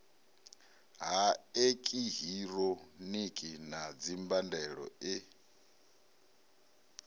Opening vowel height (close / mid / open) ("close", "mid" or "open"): open